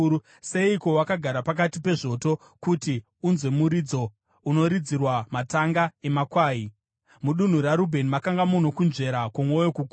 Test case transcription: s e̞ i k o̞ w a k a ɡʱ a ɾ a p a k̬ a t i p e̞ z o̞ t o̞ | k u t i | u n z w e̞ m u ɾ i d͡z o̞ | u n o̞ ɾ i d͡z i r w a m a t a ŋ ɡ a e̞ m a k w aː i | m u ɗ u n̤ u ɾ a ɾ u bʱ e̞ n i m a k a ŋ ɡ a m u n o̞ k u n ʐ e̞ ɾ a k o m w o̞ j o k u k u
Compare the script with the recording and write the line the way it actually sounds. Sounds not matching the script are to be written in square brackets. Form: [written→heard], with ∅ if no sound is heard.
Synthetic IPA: s e̞ i k o̞ w a k a ɡʱ a ɾ a p a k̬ a t i p e̞ [z→ʐ] o̞ t o̞ | k u t i | u n z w e̞ m u ɾ i d͡z o̞ | u n o̞ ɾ i d͡z i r w a m a t a ŋ ɡ a e̞ m a k w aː i | m u ɗ u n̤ u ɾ a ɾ u bʱ e̞ n i m a k a ŋ ɡ a m u n o̞ k u n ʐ e̞ ɾ a k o m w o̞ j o k u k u